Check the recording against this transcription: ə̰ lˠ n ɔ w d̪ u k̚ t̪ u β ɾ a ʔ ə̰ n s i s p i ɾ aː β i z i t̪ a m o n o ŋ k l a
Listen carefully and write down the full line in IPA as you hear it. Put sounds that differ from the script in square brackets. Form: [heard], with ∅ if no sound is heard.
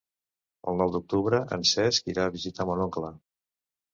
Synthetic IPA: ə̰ lˠ n ɔ w d̪ u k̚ t̪ u β ɾ [ə] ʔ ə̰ n s [ɛ] s [k] i ɾ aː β i z i t̪ a m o n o ŋ k l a